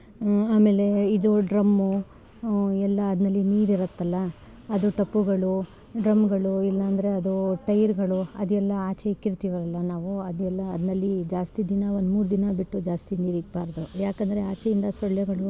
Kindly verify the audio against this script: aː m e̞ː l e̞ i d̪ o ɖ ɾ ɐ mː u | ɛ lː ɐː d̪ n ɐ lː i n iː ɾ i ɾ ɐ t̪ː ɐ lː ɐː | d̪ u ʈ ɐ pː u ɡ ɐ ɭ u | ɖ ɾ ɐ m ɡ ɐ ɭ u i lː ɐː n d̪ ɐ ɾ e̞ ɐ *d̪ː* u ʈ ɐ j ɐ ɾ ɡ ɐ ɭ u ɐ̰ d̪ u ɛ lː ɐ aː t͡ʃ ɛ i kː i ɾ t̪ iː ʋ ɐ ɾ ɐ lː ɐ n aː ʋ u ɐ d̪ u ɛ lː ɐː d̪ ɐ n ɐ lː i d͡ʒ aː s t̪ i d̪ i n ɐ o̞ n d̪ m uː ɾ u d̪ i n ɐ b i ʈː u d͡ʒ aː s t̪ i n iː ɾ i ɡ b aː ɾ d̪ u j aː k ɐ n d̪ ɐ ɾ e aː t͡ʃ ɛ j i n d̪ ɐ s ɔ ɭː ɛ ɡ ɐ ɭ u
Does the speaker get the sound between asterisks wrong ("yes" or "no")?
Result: yes